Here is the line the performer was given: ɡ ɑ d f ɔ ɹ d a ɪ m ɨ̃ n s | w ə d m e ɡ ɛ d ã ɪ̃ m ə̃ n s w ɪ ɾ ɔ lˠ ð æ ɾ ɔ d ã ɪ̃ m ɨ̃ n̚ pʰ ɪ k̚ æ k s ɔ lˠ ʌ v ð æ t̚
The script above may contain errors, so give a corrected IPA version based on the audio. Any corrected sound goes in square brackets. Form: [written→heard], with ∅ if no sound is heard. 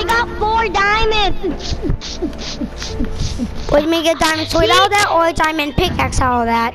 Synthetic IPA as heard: ɡ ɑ [d→t] f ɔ ɹ d a ɪ m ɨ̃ n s | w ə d m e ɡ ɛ d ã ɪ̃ m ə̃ n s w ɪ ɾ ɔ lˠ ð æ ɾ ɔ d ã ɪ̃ m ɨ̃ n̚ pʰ ɪ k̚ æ k s ɔ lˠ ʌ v ð æ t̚

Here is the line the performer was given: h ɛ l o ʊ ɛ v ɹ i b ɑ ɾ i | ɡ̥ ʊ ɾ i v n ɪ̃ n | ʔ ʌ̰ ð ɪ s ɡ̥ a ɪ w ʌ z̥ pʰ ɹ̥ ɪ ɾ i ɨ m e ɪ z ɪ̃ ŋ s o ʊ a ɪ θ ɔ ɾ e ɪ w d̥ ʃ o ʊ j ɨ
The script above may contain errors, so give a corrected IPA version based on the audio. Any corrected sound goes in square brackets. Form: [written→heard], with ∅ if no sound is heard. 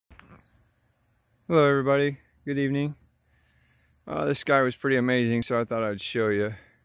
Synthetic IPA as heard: h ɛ l o ʊ ɛ v ɹ i b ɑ ɾ i | ɡ̥ ʊ ɾ i v n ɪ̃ [n→ŋ] | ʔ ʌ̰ ð ɪ s ɡ̥ a ɪ w ʌ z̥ pʰ ɹ̥ ɪ ɾ i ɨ m e ɪ z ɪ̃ ŋ s o ʊ a ɪ θ ɔ ɾ [e→a] ɪ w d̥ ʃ o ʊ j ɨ

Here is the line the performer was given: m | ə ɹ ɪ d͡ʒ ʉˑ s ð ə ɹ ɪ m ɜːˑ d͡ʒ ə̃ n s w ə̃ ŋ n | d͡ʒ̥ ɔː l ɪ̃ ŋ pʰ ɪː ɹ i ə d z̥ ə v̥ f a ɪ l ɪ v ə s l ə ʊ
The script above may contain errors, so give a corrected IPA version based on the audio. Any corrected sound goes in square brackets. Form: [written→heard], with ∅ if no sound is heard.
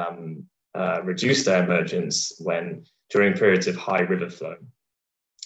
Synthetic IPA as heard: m | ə ɹ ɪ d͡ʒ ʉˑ s ð ə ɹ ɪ m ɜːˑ d͡ʒ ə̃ n s w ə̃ [ŋ→∅] n | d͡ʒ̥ ɔː [l→ɹ] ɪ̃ ŋ pʰ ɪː ɹ i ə d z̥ ə v̥ [f→h] a ɪ [l→ɹ] ɪ v ə [s→f] l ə ʊ

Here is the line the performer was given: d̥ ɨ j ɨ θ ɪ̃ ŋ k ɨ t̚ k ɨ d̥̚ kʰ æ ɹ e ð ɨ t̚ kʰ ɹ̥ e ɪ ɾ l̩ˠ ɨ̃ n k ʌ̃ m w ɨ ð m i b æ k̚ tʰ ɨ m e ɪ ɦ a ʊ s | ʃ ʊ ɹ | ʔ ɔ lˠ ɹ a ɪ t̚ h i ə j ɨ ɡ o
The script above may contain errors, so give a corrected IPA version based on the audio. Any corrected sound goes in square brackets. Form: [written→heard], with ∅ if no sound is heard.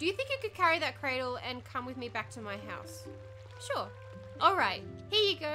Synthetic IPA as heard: d̥ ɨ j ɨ θ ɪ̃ ŋ k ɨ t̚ k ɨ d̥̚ kʰ æ ɹ [e→i] ð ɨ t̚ kʰ ɹ̥ e ɪ ɾ l̩ˠ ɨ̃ n [k→kʰ] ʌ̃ m w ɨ ð m i b æ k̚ tʰ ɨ m [e→a] ɪ ɦ a ʊ s | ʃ ʊ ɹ | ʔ ɔ lˠ ɹ a ɪ t̚ h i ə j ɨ ɡ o

